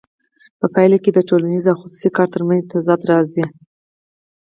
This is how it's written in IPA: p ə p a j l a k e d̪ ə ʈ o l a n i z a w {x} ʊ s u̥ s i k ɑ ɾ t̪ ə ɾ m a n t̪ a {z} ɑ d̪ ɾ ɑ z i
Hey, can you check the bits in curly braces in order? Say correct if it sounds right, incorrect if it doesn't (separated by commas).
correct, correct